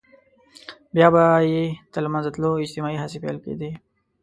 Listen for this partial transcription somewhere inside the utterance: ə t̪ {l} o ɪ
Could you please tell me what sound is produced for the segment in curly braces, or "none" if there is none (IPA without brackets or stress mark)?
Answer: l